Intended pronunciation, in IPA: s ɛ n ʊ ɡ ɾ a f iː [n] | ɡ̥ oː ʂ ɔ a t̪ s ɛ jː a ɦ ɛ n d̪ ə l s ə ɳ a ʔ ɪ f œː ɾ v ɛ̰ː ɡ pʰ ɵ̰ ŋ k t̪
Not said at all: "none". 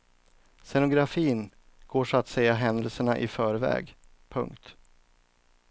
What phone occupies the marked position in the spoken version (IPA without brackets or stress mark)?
n